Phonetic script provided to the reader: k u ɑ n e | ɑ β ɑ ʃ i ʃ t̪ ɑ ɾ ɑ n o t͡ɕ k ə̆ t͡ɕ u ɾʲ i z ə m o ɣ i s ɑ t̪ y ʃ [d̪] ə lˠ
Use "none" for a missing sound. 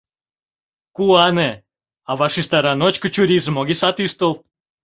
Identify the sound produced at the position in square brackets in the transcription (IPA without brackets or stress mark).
t̪